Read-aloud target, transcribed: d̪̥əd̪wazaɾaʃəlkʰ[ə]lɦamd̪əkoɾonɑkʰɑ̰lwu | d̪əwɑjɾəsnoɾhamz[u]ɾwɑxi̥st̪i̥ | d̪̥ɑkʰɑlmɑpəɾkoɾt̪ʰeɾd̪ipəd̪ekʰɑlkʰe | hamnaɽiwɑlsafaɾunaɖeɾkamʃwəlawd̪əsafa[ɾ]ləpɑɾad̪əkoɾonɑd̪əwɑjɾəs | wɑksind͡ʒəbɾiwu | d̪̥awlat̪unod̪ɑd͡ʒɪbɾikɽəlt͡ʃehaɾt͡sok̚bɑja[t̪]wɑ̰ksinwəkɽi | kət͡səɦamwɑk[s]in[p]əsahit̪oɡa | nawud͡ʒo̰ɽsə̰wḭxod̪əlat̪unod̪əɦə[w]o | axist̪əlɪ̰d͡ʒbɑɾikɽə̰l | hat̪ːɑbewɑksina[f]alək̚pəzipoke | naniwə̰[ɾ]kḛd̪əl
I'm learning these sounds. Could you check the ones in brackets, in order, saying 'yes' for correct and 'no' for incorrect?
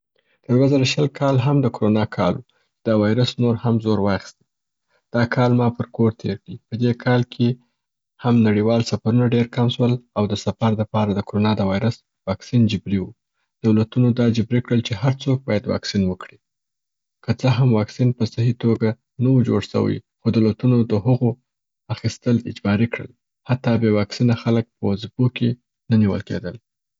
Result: no, no, yes, no, yes, yes, no, no, no

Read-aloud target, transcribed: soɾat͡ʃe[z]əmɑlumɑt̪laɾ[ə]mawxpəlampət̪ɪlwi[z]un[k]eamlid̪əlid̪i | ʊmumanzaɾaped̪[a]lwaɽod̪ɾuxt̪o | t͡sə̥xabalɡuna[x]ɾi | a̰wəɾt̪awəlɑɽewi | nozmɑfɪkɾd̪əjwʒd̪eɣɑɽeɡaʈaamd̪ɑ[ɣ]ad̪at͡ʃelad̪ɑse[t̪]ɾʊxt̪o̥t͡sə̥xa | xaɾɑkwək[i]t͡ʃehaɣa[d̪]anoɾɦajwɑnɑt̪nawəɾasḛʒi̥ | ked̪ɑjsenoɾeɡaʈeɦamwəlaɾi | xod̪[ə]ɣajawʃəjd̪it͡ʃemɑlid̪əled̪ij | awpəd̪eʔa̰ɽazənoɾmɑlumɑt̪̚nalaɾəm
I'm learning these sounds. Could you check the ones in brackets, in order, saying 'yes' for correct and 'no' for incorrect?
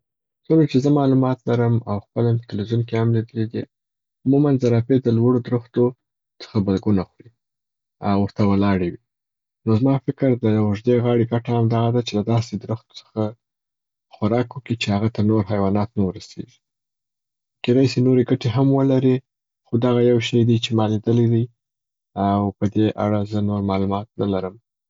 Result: yes, yes, yes, yes, no, yes, yes, no, yes, no, no

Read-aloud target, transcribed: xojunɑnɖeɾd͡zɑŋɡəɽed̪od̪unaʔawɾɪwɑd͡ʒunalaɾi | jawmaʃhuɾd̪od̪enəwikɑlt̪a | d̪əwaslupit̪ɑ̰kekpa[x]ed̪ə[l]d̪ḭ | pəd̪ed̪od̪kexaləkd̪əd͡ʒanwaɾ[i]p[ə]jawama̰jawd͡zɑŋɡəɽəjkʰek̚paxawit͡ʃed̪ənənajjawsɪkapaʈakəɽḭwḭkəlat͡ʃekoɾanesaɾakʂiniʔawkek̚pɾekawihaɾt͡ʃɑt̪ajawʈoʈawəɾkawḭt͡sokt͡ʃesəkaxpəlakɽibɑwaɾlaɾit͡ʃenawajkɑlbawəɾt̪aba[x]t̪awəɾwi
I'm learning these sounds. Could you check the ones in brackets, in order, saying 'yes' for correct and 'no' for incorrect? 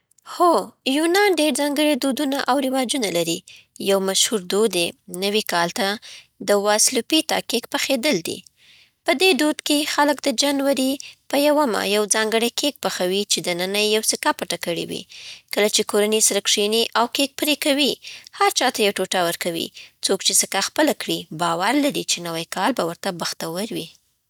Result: yes, yes, yes, yes, yes

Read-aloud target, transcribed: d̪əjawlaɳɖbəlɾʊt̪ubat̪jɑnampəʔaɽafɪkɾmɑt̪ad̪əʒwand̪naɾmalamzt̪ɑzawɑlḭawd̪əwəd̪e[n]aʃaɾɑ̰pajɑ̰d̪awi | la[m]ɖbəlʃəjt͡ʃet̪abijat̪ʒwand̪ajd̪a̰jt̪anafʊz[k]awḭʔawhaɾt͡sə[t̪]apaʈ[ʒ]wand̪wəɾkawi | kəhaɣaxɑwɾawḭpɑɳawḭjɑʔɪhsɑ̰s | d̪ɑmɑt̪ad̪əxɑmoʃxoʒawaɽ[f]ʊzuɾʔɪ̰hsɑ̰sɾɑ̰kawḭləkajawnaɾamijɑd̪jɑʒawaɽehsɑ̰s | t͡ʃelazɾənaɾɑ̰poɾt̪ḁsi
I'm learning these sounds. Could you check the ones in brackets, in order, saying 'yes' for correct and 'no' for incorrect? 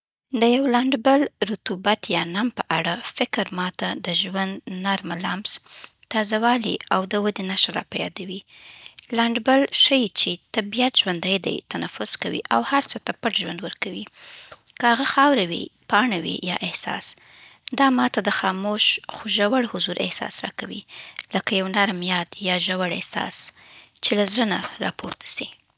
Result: yes, no, yes, yes, yes, no

